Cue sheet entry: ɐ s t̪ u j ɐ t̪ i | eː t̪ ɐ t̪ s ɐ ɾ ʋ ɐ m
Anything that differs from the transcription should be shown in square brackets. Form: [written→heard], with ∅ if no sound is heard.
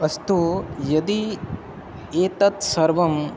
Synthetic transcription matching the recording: ɐ s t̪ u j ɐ [t̪→d̪] i | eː t̪ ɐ t̪ s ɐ ɾ ʋ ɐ m